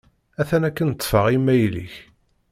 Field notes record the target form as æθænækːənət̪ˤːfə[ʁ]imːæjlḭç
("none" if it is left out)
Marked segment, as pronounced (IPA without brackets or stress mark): ʁ